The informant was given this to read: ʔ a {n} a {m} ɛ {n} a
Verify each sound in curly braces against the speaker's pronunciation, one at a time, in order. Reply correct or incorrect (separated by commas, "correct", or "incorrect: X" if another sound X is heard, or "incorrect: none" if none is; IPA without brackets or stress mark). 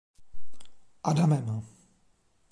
incorrect: d, correct, incorrect: m